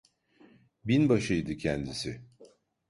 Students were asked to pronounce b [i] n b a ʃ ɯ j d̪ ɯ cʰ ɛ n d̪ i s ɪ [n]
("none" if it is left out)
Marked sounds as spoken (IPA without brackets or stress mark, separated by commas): i, none